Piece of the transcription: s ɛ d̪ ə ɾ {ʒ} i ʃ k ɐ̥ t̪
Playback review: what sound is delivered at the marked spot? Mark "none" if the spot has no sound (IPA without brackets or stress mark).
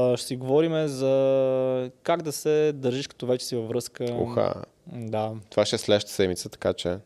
ʒ